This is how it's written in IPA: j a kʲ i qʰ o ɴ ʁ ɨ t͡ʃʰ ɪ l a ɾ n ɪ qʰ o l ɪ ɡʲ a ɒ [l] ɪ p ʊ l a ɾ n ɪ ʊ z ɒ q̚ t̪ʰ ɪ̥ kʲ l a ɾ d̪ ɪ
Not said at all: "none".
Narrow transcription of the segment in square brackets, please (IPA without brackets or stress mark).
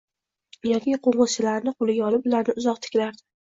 l